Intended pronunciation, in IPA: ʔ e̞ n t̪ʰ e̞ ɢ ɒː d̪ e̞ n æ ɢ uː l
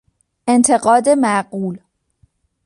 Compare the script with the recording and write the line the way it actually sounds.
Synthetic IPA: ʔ e̞ n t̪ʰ e̞ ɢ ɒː d̪ e̞ m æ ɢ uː l